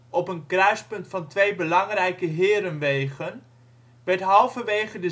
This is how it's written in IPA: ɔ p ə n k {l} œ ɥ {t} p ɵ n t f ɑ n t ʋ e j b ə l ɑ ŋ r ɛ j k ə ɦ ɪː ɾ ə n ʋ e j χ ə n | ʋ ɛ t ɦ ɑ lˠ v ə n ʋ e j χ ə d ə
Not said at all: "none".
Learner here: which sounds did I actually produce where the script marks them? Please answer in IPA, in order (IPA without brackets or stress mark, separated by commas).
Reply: r, s